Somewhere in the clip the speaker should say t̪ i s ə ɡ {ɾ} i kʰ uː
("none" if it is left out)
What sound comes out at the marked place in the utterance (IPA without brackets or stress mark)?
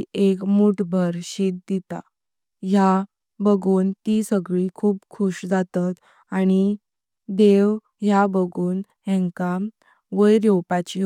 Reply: ɭ